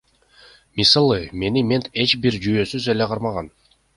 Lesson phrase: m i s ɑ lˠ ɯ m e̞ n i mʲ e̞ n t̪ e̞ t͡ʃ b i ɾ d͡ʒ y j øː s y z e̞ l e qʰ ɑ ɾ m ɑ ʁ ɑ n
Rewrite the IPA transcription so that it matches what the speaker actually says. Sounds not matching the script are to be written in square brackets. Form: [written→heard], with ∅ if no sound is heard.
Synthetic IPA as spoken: m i s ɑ lˠ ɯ m e̞ n i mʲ e̞ n t̪ e̞ t͡ʃ b i ɾ d͡ʒ y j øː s y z e̞ l e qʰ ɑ ɾ m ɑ ʁ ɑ n